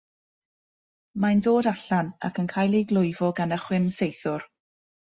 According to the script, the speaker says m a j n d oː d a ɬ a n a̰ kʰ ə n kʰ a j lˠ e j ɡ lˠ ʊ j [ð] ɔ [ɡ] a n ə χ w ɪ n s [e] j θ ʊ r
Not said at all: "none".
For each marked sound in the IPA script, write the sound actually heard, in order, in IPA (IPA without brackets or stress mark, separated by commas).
v, ɡ, e